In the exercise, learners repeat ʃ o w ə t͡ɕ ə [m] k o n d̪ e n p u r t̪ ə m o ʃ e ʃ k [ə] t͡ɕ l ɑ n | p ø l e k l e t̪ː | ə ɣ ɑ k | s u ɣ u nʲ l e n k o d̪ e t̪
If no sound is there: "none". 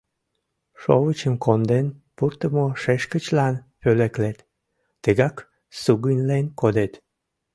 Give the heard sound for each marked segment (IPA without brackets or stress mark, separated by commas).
m, ə